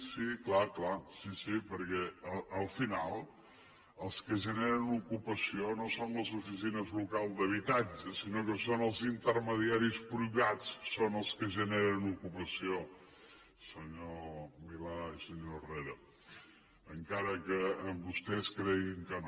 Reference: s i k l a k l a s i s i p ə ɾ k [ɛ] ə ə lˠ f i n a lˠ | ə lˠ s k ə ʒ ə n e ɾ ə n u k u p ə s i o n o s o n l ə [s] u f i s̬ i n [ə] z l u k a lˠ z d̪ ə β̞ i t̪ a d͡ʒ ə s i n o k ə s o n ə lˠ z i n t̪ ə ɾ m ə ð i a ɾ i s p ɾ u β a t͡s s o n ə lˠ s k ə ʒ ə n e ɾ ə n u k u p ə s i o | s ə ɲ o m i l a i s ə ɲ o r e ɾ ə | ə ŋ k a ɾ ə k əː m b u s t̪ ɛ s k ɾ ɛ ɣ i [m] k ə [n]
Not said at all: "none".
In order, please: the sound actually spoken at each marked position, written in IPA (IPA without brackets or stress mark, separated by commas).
ɛ, z, ə, ŋ, n